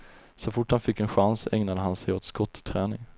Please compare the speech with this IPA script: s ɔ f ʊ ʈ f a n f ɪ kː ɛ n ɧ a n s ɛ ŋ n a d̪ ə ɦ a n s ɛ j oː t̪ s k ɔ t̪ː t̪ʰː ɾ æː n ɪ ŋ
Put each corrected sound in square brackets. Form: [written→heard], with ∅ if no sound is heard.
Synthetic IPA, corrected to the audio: s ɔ f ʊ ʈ [f→h] a n f ɪ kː ɛ n ɧ a n s ɛ ŋ n a d̪ ə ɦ a n s ɛ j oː t̪ s k ɔ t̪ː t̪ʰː ɾ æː n ɪ ŋ